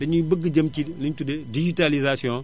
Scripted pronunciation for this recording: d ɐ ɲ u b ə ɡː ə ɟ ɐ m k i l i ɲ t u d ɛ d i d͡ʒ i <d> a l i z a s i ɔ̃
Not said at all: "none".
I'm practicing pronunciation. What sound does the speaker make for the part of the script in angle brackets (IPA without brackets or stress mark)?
t